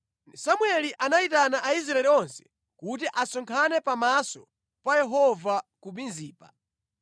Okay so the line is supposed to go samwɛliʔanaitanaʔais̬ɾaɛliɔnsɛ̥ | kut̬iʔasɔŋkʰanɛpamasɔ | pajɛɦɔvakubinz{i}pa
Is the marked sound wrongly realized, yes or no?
yes